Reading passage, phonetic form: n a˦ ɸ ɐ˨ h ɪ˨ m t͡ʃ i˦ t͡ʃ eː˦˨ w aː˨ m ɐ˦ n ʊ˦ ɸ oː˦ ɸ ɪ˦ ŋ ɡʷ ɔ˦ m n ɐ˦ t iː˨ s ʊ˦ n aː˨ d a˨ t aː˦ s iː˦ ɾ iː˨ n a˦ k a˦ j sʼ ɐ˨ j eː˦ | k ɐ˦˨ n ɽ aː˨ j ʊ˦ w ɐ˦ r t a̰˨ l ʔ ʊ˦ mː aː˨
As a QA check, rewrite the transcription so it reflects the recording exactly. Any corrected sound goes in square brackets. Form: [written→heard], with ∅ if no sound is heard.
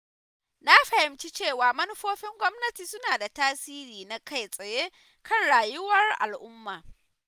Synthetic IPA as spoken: n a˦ ɸ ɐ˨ h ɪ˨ m t͡ʃ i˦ t͡ʃ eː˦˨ w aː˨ m ɐ˦ n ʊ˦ ɸ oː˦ ɸ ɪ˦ ŋ ɡʷ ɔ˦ m n ɐ˦ t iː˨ s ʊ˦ n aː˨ d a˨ t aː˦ s iː˦ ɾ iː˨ n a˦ k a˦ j sʼ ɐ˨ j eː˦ | k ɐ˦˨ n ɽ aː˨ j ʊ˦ w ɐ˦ r [t→ʔ] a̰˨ l ʔ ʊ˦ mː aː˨